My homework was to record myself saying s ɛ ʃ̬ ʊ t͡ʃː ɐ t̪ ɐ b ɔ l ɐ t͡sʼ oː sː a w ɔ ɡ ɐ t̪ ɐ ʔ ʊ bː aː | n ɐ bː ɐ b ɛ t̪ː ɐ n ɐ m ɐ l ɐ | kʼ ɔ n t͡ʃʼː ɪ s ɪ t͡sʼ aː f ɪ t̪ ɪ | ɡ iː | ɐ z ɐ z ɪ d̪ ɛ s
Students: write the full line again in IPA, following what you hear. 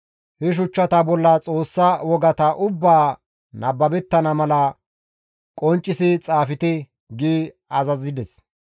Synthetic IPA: h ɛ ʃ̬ ʊ t͡ʃː ɐ t̪ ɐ b ɔ lː ɐ t͡sʼ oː sː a w ɔ ɡ ɐ t̪ ɐ ʔ ʊ bː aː | n ɐ bː ɐ b ɛ t̪ː ɐ n ɐ m ɐ l ɐ | kʼ ɔ n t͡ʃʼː ɪ s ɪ t͡sʼ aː f ɪ t̪ ɪ | ɡ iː | ɐ z ɐ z ɪ d̪ ɛ s

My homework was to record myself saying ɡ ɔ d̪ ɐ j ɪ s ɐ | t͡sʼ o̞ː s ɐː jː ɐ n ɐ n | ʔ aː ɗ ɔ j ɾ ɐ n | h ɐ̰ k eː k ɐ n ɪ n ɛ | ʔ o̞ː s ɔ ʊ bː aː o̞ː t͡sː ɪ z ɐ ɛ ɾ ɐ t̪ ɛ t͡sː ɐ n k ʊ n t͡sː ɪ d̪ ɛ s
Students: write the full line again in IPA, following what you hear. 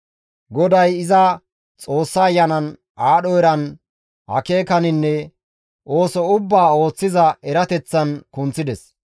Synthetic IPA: ɡ ɔ d̪ ɐ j ɪ z ɐ | t͡sʼ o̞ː sː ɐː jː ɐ n ɐ n | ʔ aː ɗ ɔ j ɾ ɐ n | h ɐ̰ k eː k ɐ n ɪ nː ɛ | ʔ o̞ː s ɔ ʊ bː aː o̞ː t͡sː ɪ z ɐ ɛ ɾ ɐ t̪ ɛ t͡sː ɐ n k ʊ n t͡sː ɪ d̪ ɛ s

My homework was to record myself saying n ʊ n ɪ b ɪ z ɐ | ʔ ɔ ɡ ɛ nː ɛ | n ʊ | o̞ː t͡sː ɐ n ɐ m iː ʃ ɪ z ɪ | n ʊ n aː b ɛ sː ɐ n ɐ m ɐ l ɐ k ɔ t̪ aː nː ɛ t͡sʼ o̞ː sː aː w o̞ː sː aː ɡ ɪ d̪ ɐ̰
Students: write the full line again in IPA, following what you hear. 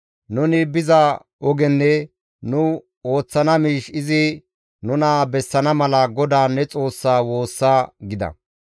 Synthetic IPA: n ʊ n ɪ b ɪ z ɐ | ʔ ɔ ɡ ɛ nː ɛ | n ʊ | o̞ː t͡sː ɐ n ɐ m iː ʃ ɪ z ɪ | n ʊ n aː b ɛ sː ɐ n ɐ m ɐ l ɐ ɡ ɔ d̪ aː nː ɛ t͡sʼ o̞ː sː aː w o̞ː sː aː ɡ ɪ d̪ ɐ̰

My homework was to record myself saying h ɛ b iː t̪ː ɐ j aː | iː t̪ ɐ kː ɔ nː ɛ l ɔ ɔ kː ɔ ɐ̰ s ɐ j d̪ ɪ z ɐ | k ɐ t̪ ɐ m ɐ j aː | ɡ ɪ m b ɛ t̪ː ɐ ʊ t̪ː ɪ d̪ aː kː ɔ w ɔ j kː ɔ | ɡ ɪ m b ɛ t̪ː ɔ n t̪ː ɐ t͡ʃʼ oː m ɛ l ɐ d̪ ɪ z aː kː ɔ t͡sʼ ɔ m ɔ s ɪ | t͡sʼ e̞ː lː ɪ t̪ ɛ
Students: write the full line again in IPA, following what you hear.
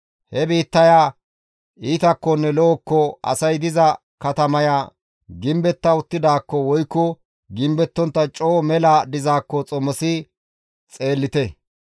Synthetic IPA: h ɛ b iː t̪ː ɐ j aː | iː t̪ ɐ kː ɔ nː ɛ l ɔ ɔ kː ɔ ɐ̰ s ɐ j d̪ ɪ z ɐ | k ɐ t̪ ɐ m ɐ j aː | ɡ ɪ m b ɛ t̪ː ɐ ʊ t̪ː ɪ d̪ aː kː ɔ w ɔ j kː ɔ | ɡ ɪ m b ɛ t̪ː ɔ n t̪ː ɐ t͡ʃʼ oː m ɛ l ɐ d̪ ɪ z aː kː ɔ t͡sʼ ɔ m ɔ s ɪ | t͡sʼ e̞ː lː ɪ t̪ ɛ

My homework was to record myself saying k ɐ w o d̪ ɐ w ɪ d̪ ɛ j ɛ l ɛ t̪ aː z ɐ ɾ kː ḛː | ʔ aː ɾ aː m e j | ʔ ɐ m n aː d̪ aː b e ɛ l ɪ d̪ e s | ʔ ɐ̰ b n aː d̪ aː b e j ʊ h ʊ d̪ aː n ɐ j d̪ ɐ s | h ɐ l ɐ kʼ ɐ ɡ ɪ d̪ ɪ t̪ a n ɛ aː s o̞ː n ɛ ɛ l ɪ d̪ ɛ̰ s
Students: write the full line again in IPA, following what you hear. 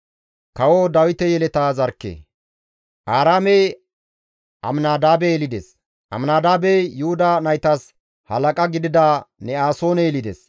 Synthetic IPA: k ɐ w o d̪ ɐ w ɪ t̪ ɛ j ɛ l ɛ t̪ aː z ɐ ɾ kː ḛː | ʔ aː ɾ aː m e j | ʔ ɐ m n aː d̪ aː b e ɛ l ɪ d̪ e s | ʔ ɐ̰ m n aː d̪ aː b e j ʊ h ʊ d̪ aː n ɐ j t̪ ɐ s | h ɐ l ɐ kʼ ɐ ɡ ɪ d̪ ɪ d̪ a n ɛ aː s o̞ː n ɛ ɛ l ɪ d̪ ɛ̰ s

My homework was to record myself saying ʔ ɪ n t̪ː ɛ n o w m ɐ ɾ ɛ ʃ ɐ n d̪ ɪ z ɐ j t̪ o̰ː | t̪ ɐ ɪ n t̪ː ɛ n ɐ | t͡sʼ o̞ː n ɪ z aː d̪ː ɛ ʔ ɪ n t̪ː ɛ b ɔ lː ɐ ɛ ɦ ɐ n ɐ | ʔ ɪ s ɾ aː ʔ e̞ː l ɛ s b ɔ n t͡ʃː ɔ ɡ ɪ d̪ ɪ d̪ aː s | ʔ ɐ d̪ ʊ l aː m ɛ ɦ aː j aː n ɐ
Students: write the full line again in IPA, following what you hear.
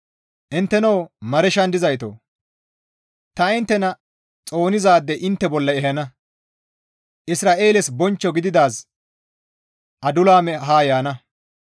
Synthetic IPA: ʔ ɪ n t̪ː ɛ n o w m ɐ ɾ ɛ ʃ ɐ n d̪ ɪ z ɐ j t̪ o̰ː | t̪ ɐ ɪ n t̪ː ɛ n ɐ | t͡sʼ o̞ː n ɪ z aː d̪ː ɛ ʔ ɪ n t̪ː ɛ b ɔ lː ɐ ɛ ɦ ɐ n ɐ | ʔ ɪ s ɾ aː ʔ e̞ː l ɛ s b ɔ n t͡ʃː ɔ ɡ ɪ d̪ ɪ d̪ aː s | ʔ ɐ d̪ ʊ l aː m ɛ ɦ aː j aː n ɐ

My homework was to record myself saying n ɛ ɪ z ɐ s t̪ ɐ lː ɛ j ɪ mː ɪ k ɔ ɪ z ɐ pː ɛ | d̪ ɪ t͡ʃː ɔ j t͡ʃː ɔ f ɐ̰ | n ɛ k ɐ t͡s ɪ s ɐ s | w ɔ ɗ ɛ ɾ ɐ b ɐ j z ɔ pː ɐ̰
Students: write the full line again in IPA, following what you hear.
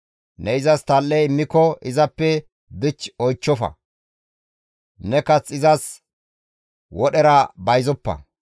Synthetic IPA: n ɛ ɪ z ɐ s t̪ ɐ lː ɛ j ɪ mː ɪ k ɔ ɪ z ɐ pː ɛ | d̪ ɪ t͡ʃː ɔ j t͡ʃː ɔ f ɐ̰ | n ɛ k ɐ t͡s ɪ z ɐ s | w ɔ ɗ ɛ ɾ ɐ b ɐ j z ɔ pː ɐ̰

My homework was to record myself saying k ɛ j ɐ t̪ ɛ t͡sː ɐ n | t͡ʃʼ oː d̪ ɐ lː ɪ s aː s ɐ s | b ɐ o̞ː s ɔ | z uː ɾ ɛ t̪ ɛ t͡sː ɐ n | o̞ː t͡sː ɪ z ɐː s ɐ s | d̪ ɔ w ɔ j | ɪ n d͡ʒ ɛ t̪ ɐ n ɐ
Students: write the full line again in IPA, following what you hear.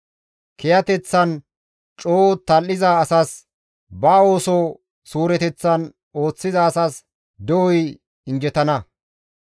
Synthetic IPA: k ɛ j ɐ t̪ ɛ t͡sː ɐ n | t͡ʃʼ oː t̪ ɐ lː ɪ z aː s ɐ s | b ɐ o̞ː s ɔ | s uː ɾ ɛ t̪ ɛ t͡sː ɐ n | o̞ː t͡sː ɪ z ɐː s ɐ s | d̪ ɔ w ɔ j | ɪ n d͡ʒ ɛ t̪ ɐ n ɐ

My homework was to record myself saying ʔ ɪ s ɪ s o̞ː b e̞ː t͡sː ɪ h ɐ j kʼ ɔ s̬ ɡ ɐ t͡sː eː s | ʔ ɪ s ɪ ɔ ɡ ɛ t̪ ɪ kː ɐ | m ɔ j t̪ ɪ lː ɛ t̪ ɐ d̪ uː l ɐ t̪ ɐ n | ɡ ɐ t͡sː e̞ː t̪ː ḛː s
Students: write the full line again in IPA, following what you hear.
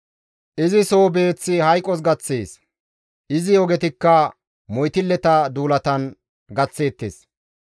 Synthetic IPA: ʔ ɪ z ɪ s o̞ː b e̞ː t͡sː ɪ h ɐ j kʼ ɔ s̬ ɡ ɐ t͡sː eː s | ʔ ɪ z ɪ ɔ ɡ ɛ t̪ ɪ kː ɐ | m ɔ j t̪ ɪ lː ɛ t̪ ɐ d̪ uː l ɐ t̪ ɐ n | ɡ ɐ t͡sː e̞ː t̪ː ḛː s

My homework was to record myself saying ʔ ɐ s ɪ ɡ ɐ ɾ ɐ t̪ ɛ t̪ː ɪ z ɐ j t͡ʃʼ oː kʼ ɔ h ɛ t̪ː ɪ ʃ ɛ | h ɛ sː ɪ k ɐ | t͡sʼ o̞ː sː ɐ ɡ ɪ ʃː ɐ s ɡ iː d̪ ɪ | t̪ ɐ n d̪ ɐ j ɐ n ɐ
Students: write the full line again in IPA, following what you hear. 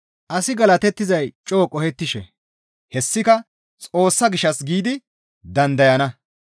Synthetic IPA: ʔ ɐ s ɪ ɡ ɐ l ɐ t̪ ɛ t̪ː ɪ z ɐ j t͡ʃʼ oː kʼ ɔ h ɛ t̪ː ɪ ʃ ɛ | h ɛ sː ɪ k ɐ | t͡sʼ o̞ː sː ɐ ɡ ɪ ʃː ɐ s ɡ iː d̪ ɪ | d̪ ɐ n d̪ ɐ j ɐ n ɐ

